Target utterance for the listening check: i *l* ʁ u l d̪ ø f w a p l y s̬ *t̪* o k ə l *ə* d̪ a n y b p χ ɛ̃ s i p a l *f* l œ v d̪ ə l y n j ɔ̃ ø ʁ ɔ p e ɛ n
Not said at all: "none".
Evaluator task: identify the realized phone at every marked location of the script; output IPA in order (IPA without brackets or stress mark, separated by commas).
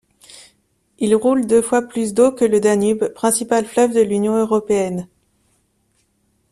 l, d̪, ə, f